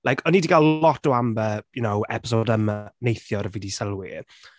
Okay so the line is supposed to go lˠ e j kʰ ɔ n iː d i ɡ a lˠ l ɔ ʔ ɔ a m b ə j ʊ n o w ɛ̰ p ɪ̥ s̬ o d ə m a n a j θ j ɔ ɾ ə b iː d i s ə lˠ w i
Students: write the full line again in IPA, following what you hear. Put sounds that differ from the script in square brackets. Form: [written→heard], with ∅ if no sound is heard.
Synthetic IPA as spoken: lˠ [e→a] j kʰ ɔ n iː d i ɡ a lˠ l ɔ [ʔ→t] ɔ a m b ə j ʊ n o w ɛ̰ p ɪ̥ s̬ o d ə m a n [a→e] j θ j ɔ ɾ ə [b→v] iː d i s ə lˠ w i

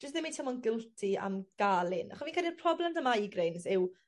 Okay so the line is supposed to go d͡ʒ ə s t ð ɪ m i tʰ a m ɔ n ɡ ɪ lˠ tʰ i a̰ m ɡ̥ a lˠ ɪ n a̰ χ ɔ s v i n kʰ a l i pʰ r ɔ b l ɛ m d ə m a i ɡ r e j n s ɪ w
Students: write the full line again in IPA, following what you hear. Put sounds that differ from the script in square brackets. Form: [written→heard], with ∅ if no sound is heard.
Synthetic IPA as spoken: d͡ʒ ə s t ð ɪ m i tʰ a m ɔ n ɡ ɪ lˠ tʰ i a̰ m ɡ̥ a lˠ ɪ n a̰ χ ɔ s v i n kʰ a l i pʰ r ɔ b l ɛ m d ə m a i ɡ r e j n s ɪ w

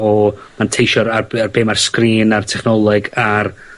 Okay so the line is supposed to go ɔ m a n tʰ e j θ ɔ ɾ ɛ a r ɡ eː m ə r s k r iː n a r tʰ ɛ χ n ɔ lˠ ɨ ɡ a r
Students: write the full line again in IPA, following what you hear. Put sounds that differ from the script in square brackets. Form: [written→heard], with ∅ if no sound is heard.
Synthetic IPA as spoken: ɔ m a n tʰ e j [θ→ʃ] ɔ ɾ [ɛ→a] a r [ɡ→b] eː m [ə→a] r s k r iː n a r tʰ ɛ χ n ɔ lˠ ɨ ɡ a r

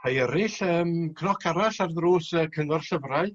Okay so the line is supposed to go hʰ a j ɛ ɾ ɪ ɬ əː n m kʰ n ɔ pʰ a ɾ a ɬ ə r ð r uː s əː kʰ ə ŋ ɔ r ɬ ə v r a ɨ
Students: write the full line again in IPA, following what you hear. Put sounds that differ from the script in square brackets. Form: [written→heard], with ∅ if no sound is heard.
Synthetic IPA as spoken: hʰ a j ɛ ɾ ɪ ɬ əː [n→∅] m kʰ n ɔ [pʰ→kʰ] a ɾ a ɬ [ə→a] r ð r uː s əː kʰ ə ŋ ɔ r ɬ ə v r a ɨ

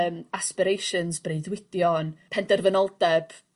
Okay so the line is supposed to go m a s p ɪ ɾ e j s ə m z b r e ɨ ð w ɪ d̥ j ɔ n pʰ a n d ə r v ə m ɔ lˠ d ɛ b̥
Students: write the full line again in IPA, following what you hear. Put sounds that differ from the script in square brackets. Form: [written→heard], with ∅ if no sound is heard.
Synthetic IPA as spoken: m a s p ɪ ɾ e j [s→ʃ] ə [m→n] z b r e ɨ ð w ɪ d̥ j ɔ n pʰ [a→ɛ] n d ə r v ə [m→n] ɔ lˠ d ɛ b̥

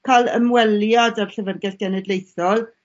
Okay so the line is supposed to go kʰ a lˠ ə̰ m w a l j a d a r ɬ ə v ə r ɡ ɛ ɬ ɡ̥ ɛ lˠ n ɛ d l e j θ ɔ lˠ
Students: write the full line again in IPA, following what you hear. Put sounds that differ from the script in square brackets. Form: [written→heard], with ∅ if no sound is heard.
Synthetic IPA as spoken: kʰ a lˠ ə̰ m w [a→ɛ] l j a d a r ɬ ə v ə r ɡ ɛ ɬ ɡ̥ ɛ [lˠ→∅] n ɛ d l e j θ ɔ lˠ

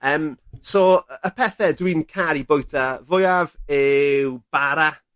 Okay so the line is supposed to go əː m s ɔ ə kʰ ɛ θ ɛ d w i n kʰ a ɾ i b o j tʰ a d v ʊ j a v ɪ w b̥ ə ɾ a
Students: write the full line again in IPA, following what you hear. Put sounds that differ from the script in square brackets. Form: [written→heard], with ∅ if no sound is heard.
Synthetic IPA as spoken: əː m s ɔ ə [kʰ→pʰ] ɛ θ ɛ d w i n kʰ a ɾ i b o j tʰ a [d→∅] v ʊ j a v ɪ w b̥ [ə→a] ɾ a

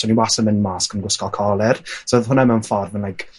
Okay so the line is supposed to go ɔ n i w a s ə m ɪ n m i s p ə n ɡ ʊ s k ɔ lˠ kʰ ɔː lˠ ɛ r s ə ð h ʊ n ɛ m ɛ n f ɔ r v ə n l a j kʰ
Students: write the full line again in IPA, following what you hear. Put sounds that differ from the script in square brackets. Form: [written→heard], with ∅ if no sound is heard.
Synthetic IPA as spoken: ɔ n i w a s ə m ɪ n m [i→a] s [p→k] ə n ɡ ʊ s k ɔ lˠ kʰ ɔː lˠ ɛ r s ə ð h ʊ n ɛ m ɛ n f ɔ r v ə n l a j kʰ

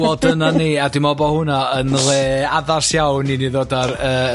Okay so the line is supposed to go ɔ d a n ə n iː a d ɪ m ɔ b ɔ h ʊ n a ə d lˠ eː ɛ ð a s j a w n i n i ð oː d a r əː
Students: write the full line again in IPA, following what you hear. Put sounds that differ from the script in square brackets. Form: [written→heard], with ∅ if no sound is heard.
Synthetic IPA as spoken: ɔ d [a→ə] n [ə→a] n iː a d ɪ m ɔ b ɔ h ʊ n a ə [d→n] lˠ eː [ɛ→a] ð a s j a w n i n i ð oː d a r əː

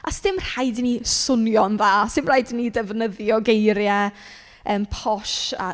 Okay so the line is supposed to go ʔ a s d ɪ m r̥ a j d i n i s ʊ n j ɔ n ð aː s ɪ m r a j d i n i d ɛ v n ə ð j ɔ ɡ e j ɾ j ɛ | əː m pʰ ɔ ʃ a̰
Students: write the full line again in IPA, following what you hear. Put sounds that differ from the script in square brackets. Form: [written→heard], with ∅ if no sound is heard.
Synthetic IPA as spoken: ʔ a s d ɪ m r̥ a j d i n i s ʊ n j ɔ n ð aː s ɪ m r a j d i n i d ɛ v n ə ð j ɔ ɡ e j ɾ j ɛ | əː m pʰ ɔ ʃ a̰

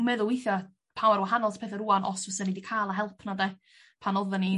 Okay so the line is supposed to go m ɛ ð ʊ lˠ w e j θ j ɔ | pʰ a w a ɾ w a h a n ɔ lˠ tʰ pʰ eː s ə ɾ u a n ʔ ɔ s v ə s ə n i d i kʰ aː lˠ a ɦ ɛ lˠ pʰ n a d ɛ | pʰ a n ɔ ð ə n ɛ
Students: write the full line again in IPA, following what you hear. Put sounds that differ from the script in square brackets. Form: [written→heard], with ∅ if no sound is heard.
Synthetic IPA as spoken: m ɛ ð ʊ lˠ w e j θ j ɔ | pʰ a w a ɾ w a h a n ɔ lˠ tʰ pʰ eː [s→θ] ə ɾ u a n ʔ ɔ s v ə s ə n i d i kʰ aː lˠ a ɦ ɛ lˠ pʰ n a d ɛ | pʰ a n ɔ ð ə n [ɛ→i]

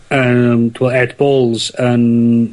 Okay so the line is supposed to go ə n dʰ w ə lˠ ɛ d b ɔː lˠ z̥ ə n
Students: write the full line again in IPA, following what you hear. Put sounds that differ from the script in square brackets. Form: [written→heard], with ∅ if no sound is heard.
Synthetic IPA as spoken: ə [n→m] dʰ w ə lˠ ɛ d b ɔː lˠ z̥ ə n

